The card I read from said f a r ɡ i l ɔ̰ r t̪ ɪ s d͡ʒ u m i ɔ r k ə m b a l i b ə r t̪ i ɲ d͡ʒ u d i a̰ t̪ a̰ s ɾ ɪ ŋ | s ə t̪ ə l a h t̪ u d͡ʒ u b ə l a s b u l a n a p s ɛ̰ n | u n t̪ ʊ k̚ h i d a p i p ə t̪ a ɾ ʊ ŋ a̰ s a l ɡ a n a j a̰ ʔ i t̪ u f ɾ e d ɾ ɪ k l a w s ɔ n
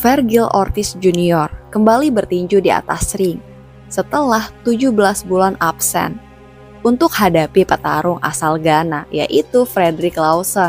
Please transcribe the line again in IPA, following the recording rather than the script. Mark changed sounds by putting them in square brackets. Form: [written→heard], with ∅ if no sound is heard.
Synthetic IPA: f [a→ɛ] r ɡ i l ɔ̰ r t̪ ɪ s d͡ʒ u [m→n] i ɔ r k ə m b a l i b ə r t̪ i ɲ d͡ʒ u d i a̰ t̪ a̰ s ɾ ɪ ŋ | s ə t̪ ə l a h t̪ u d͡ʒ u b ə l a s b u l a n a p s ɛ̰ n | u n t̪ ʊ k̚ h [i→a] d a p i p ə t̪ a ɾ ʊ ŋ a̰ s a l ɡ a n a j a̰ ʔ i t̪ u f ɾ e d ɾ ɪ k l a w s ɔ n